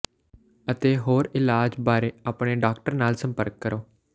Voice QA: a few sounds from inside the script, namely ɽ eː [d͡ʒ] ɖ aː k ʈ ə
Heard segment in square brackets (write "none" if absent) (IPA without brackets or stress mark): none